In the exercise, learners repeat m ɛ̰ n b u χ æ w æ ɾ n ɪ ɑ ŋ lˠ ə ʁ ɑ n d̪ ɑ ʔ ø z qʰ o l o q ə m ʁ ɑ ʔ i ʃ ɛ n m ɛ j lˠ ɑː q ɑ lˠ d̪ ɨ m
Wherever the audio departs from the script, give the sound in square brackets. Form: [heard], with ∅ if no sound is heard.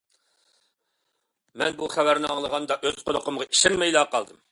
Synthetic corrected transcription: m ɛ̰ n b u χ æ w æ ɾ n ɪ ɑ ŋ lˠ ə ʁ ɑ n d̪ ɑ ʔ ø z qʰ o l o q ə m ʁ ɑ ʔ i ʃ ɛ n m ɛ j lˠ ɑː q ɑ lˠ d̪ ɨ m